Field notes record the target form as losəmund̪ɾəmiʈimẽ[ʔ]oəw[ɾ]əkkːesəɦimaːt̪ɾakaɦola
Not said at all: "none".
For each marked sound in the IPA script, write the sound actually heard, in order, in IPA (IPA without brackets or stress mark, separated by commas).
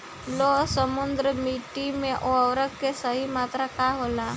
ʔ, ɾ